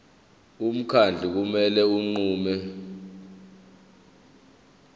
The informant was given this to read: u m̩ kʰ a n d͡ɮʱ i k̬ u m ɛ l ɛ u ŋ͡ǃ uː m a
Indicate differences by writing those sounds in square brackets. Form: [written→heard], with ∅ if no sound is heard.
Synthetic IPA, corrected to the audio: u m̩ kʰ a n d͡ɮʱ i k̬ u m ɛ l ɛ u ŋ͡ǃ uː m [a→ɛ]